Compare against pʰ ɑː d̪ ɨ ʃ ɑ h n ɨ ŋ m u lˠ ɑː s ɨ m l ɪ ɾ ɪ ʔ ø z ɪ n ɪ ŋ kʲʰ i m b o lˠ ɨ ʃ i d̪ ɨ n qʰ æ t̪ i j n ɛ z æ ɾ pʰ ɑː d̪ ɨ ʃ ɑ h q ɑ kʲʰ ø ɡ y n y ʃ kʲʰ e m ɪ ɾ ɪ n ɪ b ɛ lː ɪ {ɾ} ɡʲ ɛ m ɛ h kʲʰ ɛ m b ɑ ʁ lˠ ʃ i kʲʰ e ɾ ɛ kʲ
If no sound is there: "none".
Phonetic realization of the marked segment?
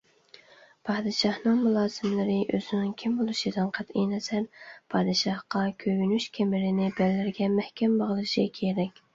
ɾ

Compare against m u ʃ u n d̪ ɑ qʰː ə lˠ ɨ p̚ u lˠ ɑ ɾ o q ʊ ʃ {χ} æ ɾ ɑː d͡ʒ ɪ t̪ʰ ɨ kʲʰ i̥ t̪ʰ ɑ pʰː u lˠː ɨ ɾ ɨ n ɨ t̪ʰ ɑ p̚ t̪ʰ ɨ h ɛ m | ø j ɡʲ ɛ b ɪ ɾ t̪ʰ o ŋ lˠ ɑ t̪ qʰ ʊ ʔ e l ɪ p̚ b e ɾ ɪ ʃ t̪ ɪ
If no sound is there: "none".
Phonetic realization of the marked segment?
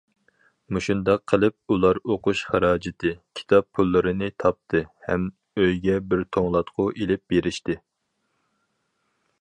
χ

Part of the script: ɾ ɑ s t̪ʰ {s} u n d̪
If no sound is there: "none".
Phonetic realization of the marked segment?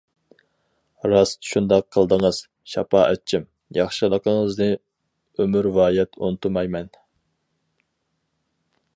ʃ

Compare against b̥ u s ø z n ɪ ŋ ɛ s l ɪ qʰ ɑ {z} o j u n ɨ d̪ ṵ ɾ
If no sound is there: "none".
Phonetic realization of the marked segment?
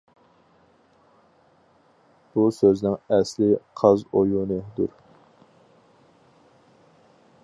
z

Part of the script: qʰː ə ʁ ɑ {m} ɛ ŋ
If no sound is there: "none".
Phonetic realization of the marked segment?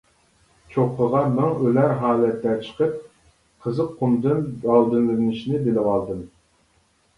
m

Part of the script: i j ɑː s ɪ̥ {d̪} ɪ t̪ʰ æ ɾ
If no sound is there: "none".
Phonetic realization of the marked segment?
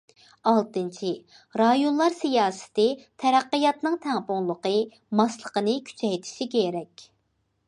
t̪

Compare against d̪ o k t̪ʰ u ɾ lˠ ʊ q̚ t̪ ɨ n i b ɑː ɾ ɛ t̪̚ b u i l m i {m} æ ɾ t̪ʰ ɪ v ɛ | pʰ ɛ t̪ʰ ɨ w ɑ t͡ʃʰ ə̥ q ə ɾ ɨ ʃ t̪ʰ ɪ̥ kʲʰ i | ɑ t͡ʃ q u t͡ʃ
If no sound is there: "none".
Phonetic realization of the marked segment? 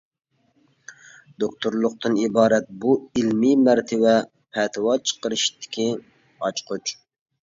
m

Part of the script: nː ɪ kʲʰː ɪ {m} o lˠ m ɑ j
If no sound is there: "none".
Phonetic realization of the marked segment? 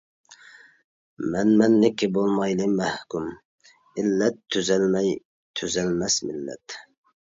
b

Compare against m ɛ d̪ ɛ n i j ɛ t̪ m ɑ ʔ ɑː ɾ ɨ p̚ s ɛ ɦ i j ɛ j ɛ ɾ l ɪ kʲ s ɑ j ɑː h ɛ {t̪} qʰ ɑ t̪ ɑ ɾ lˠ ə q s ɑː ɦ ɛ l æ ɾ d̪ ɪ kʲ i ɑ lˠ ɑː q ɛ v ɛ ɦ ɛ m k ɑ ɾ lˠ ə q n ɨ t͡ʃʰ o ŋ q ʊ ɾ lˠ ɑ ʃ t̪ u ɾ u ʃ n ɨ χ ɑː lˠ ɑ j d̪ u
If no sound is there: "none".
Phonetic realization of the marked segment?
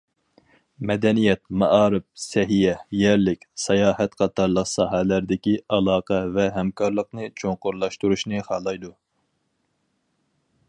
t̪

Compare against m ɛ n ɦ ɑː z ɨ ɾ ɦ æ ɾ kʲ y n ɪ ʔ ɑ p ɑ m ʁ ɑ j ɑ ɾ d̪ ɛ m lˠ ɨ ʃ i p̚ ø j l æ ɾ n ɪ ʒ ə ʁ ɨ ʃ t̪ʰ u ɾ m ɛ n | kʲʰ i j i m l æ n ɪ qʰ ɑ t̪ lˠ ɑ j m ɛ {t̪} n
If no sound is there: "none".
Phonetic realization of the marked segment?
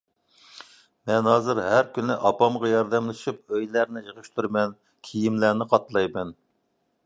none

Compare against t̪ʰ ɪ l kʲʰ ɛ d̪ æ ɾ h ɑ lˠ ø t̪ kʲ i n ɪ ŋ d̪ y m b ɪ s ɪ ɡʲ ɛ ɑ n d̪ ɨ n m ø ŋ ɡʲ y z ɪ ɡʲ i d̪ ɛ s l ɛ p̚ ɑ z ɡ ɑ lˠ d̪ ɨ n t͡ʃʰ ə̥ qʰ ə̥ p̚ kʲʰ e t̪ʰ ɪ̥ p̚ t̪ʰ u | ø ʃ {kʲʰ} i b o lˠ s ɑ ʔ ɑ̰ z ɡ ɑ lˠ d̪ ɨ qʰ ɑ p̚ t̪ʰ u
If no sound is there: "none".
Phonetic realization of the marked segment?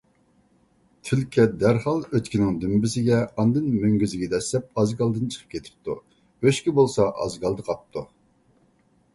kʲ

